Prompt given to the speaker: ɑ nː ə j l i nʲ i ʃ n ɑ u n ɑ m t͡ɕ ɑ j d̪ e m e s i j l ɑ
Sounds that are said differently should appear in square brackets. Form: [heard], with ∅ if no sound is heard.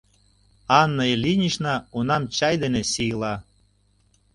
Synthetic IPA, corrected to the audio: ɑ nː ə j l i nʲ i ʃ n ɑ u n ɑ m t͡ɕ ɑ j d̪ e [n] e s i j l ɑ